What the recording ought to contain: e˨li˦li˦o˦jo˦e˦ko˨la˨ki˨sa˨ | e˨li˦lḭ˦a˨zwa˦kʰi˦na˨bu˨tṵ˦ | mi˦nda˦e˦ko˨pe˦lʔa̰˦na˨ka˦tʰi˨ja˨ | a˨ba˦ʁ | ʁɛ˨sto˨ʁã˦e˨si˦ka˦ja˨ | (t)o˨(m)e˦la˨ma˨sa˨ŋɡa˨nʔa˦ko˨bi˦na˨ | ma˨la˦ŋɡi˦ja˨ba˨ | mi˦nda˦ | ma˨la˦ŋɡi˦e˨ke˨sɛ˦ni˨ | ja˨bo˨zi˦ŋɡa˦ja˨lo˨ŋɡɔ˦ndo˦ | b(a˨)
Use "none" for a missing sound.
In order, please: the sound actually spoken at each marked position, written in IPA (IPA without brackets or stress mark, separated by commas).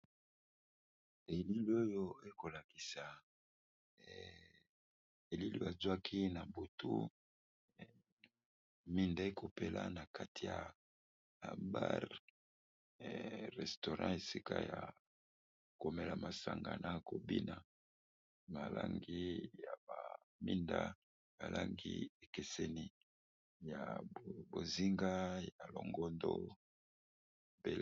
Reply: k, m, e˨